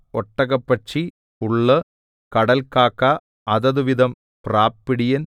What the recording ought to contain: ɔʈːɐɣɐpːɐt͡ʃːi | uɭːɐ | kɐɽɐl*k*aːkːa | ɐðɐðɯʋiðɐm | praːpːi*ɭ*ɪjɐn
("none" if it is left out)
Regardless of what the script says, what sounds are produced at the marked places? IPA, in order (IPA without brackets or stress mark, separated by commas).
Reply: k, ɽ